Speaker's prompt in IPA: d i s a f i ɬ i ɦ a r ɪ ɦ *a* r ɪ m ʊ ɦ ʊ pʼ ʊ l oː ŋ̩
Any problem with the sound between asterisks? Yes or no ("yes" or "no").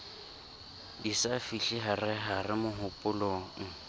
no